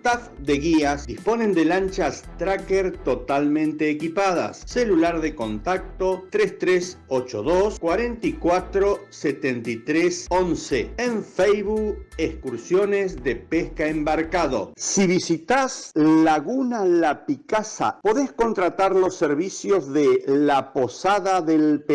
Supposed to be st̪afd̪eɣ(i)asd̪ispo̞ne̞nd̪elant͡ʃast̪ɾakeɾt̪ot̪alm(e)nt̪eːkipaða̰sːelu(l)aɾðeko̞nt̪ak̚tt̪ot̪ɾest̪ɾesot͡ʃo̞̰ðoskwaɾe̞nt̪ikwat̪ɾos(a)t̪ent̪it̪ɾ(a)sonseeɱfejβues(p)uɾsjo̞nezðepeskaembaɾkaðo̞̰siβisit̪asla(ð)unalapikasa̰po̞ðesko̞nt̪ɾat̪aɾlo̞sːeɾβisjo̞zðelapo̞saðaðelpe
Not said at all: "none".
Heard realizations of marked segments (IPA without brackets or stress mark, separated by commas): i, ẽ, l, e, e, k, ɣ